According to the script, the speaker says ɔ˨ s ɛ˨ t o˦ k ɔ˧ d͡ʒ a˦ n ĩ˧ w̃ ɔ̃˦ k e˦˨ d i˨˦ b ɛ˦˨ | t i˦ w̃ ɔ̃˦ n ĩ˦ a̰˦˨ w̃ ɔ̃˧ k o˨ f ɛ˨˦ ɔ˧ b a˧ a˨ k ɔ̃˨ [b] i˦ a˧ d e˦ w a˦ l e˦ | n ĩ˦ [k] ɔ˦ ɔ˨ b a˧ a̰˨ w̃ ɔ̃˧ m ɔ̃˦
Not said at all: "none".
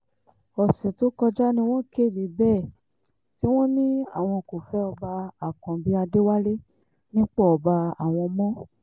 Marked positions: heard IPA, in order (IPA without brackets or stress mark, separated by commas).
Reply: b, k͡p